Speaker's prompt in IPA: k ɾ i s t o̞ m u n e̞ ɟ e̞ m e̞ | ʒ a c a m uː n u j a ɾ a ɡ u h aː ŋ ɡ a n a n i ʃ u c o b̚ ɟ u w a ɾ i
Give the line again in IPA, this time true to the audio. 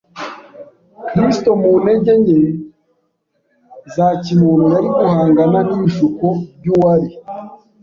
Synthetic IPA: k ɾ i s t o̞ m u n e̞ ɟ e̞ ɲ e̞ | z a c i m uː n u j a ɾ i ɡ u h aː ŋ ɡ a n a n i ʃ u k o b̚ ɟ u w a ɾ i

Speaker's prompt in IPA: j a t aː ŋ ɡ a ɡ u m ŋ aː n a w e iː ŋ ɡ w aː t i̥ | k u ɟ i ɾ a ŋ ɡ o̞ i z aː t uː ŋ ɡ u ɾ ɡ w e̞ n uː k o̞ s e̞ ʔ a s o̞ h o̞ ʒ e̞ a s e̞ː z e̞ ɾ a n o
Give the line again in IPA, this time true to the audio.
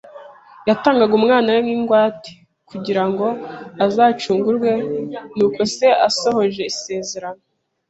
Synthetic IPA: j a t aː ŋ ɡ a ɡ u m ŋ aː n a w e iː ŋ ɡ w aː t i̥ | k u ɟ i ɾ a ŋ ɡ o̞ a z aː t͡ʃ uː ŋ ɡ u ɾ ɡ w e̞ n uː k o̞ s e̞ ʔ a s o̞ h o̞ ʒ e̞ i s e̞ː z e̞ ɾ a n o

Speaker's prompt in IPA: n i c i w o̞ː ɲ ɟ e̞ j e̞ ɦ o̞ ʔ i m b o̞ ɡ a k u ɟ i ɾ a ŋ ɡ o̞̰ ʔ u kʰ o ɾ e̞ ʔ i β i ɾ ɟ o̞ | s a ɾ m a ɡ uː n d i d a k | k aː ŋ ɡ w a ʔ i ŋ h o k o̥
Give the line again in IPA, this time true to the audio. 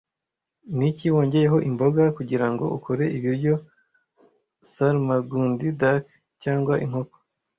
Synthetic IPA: n i c i w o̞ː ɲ ɟ e̞ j e̞ ɦ o̞ ʔ i m b o̞ ɡ a k u ɟ i ɾ a ŋ ɡ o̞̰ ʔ u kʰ o ɾ e̞ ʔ i β i ɾ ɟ o̞ | s a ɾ m a ɡ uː n d i d a k | c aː ŋ ɡ w a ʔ i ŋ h o k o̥

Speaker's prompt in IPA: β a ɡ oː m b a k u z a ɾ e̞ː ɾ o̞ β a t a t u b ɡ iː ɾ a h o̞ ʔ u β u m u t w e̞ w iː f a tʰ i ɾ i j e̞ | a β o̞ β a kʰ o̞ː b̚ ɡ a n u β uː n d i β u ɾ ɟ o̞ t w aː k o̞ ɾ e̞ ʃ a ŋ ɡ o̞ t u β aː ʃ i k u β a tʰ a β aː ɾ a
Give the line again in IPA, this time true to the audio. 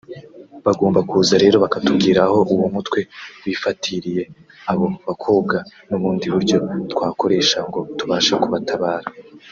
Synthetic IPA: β a ɡ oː m b a k u z a ɾ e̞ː ɾ o̞ β a k a t u b ɡ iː ɾ a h o̞ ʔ u w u m u t w e̞ w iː f a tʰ i ɾ i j e̞ | a β o̞ β a kʰ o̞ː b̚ ɡ a n u β uː n d i β u ɾ ɟ o̞ t w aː k o̞ ɾ e̞ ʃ a ŋ ɡ o̞ t u β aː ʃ a k u β a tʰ a β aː ɾ a

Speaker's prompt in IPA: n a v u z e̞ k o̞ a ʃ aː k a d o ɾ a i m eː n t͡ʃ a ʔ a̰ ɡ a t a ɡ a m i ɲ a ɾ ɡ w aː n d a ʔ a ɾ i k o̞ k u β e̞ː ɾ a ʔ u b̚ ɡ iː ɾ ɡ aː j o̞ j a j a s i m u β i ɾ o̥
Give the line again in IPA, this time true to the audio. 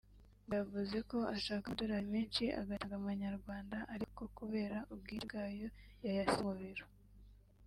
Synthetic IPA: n a v u z e̞ k o̞ a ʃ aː k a d o ɾ a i m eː n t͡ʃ i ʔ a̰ ɡ a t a ɡ a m a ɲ a ɾ ɡ w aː n d a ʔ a ɾ i k o̞ k u β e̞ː ɾ a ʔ u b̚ ɡ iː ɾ ɡ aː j o̞ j a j a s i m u β i ɾ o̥

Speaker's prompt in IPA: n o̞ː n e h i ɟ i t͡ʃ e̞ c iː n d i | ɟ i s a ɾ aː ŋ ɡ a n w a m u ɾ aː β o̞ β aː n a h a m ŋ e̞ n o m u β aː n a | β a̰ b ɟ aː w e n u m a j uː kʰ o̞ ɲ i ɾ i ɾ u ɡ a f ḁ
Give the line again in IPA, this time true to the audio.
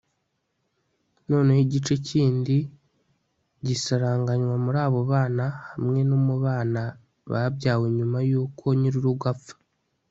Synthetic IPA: n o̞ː n e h i ɟ i t͡ʃ e̞ c iː n d i | ɟ i s a ɾ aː ŋ ɡ a ɲ w a m u ɾ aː β o̞ β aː n a h a m ŋ e̞ n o m u β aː n a | β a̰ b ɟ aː w e ɲ u m a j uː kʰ o̞ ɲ i ɾ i ɾ u ɡ a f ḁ

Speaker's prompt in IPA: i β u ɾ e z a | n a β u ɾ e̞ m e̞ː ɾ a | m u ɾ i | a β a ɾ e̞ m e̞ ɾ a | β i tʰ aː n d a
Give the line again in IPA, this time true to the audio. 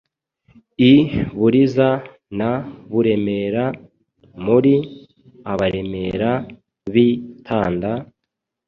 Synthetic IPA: i β u ɾ i z a | n a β u ɾ e̞ m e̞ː ɾ a | m u ɾ i | a β a ɾ e̞ m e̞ ɾ a | β i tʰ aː n d a

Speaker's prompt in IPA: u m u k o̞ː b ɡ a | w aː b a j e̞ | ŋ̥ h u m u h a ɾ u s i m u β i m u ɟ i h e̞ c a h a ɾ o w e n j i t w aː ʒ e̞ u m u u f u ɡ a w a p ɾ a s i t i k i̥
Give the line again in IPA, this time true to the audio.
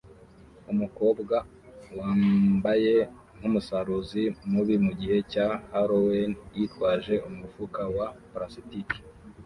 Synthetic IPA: u m u k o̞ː b ɡ a | w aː b a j e̞ | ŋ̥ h u m u s a ɾ u z i m u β i m u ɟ i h e̞ c a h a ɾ o w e n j i t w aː ʒ e̞ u m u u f u k a w a p ɾ a s i t i k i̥

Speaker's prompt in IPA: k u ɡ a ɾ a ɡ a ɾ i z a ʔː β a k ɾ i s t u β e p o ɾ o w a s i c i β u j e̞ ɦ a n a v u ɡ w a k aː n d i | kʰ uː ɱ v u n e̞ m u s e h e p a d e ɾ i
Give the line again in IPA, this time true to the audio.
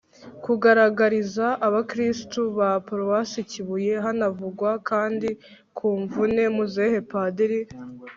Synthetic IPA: k u ɡ a ɾ a ɡ a ɾ i z a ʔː β a k ɾ i s t u β a p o ɾ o w a s i c i β u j e̞ ɦ a n a v u ɡ w a k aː n d i | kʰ uː ɱ v u n e̞ m u z e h e p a d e ɾ i

